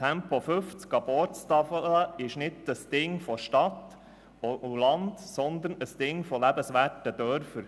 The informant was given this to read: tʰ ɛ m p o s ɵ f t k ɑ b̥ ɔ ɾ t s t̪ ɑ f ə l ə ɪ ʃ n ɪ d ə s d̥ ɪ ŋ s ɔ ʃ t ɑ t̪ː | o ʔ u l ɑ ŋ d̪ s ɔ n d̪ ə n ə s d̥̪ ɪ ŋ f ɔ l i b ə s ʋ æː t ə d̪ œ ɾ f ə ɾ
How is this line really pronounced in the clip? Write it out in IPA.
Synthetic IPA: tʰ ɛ m p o f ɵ f t͡s k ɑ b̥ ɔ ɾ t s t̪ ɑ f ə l ə ɪ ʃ n ɪ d ə s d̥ ɪ ŋ f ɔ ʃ t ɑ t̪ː | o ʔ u l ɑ n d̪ s ɔ n d̪ ə n ə s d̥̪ ɪ ŋ f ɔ l æ b ə s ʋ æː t ə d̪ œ ɾ f ə ɾ